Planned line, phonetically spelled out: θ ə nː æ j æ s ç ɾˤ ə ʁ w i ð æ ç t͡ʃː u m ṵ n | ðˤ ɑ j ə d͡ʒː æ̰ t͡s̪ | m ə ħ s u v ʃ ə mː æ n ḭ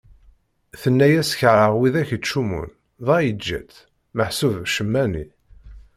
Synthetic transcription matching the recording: θ ə nː æ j æ s ç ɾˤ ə ʁ w i ð æ ç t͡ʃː u m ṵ n | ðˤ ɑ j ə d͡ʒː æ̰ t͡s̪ | m ə ħ s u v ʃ ə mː æ n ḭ